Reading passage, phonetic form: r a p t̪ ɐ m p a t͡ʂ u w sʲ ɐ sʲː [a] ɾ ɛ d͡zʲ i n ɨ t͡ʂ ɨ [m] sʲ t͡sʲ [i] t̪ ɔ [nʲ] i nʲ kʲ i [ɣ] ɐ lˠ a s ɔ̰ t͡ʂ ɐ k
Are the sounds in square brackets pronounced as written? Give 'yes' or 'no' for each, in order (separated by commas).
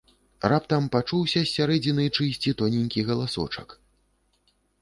yes, no, yes, yes, yes